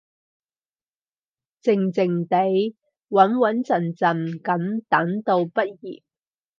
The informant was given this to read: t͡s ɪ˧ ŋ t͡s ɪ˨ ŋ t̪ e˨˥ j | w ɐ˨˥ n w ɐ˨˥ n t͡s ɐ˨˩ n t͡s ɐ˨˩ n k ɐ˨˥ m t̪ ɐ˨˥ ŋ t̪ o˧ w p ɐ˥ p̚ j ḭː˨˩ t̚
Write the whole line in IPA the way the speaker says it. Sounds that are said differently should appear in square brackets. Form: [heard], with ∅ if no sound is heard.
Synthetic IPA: t͡s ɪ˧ ŋ t͡s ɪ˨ ŋ t̪ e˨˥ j | w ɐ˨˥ n w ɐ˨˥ n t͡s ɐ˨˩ n t͡s ɐ˨˩ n k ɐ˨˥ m t̪ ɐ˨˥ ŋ t̪ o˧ w p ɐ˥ [t̚] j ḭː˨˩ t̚

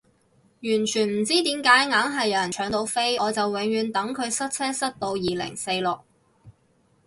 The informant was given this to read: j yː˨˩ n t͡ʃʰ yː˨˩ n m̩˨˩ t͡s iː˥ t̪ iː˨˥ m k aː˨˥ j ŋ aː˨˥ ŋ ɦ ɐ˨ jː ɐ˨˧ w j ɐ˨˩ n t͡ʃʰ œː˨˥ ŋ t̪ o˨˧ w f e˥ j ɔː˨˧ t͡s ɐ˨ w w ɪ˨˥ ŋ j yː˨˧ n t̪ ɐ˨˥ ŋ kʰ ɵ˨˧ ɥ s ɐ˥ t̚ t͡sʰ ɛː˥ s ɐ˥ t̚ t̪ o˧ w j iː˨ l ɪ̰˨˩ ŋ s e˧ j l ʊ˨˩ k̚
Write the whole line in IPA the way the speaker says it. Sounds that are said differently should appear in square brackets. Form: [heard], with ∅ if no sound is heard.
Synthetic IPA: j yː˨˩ n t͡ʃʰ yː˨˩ n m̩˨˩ t͡s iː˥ t̪ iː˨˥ m k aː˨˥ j ŋ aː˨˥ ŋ ɦ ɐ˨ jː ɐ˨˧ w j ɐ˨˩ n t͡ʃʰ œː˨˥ ŋ t̪ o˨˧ w f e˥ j ɔː˨˧ t͡s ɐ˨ w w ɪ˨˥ ŋ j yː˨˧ n t̪ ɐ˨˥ ŋ kʰ ɵ˨˧ ɥ s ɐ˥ t̚ t͡sʰ ɛː˥ s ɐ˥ t̚ t̪ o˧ w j iː˨ l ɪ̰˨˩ ŋ s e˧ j l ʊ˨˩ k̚

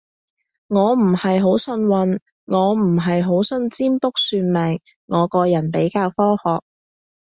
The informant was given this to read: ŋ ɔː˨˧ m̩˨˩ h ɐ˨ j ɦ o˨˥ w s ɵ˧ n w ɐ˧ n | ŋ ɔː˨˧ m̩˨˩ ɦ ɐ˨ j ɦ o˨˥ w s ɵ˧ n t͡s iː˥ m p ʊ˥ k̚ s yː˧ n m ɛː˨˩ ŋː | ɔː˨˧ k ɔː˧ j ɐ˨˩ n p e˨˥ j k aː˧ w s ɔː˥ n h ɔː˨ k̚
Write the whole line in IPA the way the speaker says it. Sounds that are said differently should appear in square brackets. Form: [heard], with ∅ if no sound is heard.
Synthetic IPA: ŋ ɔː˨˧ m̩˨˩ h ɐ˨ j ɦ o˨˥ w s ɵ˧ n w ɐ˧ n | ŋ ɔː˨˧ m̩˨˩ ɦ ɐ˨ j ɦ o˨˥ w s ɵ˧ n t͡s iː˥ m p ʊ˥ k̚ s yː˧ n m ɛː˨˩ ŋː | ɔː˨˧ k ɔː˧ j ɐ˨˩ n p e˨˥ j k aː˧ w [f] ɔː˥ [∅] h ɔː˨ k̚

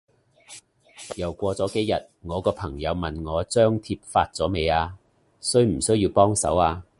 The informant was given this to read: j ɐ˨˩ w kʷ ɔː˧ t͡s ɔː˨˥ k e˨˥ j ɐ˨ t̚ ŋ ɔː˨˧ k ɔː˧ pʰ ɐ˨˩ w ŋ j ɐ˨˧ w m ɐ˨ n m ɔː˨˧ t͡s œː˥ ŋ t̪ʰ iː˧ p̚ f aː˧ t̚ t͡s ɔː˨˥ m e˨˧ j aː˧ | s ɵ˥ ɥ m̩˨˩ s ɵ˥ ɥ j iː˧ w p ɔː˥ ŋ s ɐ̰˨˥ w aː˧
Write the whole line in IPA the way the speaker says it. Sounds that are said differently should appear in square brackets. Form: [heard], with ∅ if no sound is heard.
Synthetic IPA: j ɐ˨˩ w kʷ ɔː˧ t͡s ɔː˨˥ k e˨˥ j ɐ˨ t̚ ŋ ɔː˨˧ k ɔː˧ pʰ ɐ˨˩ [∅] ŋ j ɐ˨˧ w m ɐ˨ n [ŋ] ɔː˨˧ t͡s œː˥ ŋ t̪ʰ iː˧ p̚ f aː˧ t̚ t͡s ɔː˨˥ m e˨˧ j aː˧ | s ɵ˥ ɥ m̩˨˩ s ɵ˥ ɥ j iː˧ w p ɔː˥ ŋ s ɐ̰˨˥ w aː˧

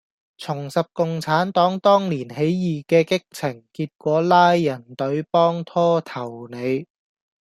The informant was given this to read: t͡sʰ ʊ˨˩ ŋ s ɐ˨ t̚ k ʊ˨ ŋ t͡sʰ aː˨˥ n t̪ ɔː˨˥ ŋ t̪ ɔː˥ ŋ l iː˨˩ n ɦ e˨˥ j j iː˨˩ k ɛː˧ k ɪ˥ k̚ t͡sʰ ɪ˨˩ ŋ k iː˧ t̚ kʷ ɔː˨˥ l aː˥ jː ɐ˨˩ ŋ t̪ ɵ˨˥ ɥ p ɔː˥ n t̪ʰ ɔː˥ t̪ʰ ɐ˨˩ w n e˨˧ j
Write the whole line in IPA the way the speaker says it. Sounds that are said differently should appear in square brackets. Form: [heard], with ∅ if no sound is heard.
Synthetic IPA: t͡sʰ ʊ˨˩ ŋ s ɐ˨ [p̚] k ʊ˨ ŋ t͡sʰ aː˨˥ n t̪ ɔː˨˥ ŋ t̪ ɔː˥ ŋ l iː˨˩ n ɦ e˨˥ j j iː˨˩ k ɛː˧ k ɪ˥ k̚ t͡sʰ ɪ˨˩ ŋ k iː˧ t̚ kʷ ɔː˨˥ l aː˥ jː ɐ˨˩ [n] t̪ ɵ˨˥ ɥ p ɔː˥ [ŋ] t̪ʰ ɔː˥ t̪ʰ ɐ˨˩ w n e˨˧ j

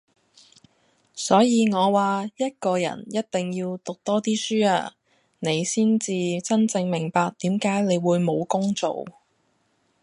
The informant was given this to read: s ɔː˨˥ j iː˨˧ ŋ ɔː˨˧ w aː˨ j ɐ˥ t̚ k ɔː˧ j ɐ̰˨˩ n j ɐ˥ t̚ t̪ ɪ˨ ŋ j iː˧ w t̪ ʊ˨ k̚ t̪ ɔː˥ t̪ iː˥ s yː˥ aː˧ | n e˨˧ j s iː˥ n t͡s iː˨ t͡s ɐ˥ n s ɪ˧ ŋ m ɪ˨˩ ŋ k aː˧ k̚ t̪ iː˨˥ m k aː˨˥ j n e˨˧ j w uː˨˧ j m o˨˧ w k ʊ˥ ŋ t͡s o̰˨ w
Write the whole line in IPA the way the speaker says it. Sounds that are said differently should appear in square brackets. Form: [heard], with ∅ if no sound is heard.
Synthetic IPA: s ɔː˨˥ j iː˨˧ ŋ ɔː˨˧ w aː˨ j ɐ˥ t̚ k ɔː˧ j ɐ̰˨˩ n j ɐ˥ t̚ t̪ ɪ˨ ŋ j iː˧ w t̪ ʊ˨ k̚ t̪ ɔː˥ t̪ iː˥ s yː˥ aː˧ | n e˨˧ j s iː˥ n t͡s iː˨ t͡s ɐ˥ n [t͡s] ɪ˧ ŋ m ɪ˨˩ ŋ [p] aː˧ k̚ t̪ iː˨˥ m k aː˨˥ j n e˨˧ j w uː˨˧ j m o˨˧ w k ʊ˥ ŋ t͡s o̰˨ w

